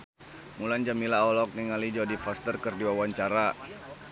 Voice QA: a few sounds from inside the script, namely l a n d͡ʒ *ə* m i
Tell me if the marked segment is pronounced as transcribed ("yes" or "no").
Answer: no